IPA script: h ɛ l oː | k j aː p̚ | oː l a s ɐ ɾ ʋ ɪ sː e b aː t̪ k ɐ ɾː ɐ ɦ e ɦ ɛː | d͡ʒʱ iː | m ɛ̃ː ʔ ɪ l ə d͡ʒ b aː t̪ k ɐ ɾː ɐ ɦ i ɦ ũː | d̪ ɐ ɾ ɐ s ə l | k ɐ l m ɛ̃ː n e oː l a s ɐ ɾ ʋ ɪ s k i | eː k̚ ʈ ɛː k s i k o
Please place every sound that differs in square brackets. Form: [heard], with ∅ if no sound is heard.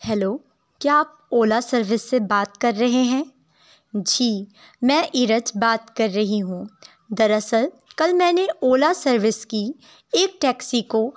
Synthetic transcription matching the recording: h ɛ l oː | k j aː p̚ | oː l a s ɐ ɾ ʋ ɪ sː e b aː t̪ k ɐ ɾː ɐ ɦ e ɦ [ɛ̃ː] | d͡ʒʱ iː | m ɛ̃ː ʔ ɪ [ɾ] ə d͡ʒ b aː t̪ k ɐ ɾː ɐ ɦ i ɦ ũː | d̪ ɐ ɾ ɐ s ə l | k ɐ l m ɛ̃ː n e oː l a s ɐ ɾ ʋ ɪ s k i | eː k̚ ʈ ɛː k s i k o